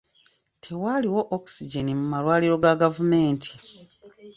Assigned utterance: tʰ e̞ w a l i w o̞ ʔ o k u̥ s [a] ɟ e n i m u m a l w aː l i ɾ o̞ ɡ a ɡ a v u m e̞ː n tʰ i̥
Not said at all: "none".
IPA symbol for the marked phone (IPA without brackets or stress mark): i